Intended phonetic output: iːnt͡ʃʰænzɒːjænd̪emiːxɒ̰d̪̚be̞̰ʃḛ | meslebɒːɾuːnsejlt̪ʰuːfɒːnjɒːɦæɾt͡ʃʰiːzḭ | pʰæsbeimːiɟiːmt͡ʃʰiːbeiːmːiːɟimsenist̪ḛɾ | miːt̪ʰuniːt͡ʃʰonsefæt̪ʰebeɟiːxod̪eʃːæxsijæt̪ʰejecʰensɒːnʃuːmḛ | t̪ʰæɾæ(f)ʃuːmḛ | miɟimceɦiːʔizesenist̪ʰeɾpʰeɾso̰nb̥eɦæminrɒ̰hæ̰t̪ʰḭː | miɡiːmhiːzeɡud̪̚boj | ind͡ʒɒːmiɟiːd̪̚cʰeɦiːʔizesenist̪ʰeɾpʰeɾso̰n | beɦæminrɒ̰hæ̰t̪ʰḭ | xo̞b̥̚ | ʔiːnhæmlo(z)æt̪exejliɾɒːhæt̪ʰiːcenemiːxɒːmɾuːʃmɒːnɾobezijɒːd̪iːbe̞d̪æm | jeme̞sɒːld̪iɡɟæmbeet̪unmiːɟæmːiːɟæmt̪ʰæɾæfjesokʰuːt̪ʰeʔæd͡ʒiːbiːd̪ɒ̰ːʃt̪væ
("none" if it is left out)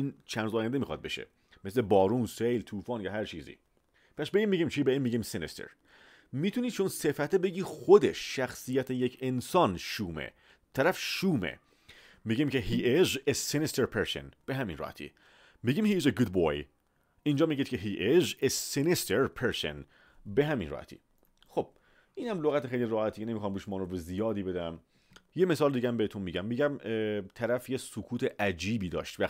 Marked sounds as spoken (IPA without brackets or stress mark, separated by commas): f, ɣ